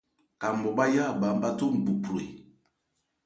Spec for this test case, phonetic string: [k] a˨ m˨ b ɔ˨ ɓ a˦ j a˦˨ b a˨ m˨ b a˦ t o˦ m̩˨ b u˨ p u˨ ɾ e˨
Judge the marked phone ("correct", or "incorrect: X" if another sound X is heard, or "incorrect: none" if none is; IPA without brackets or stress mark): correct